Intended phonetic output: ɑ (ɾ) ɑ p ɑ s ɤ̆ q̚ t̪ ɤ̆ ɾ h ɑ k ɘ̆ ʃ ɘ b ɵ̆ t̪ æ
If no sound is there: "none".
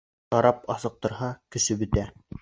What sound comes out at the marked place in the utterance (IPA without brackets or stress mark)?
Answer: ɾ